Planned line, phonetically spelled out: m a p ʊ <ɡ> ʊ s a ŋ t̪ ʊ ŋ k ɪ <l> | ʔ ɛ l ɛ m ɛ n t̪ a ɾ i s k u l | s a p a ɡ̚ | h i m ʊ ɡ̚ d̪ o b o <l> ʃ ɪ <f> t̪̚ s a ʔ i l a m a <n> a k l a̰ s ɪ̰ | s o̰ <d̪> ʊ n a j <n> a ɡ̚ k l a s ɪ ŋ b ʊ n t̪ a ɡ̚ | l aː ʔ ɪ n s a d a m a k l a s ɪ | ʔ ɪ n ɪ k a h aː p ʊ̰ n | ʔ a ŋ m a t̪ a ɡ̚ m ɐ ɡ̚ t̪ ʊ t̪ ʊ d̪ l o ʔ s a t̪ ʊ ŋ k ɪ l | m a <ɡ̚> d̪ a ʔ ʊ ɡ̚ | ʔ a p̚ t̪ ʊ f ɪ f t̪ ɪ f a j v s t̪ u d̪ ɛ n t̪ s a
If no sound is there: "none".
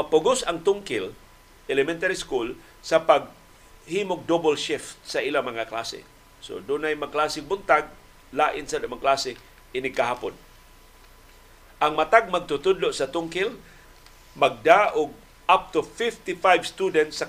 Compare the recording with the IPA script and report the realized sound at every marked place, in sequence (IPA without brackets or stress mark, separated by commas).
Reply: ɡ, l, l, f, ŋ, d̪, m, ɡ̚